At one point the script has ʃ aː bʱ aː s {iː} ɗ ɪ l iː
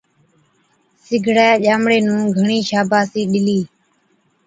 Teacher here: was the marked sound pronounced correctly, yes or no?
yes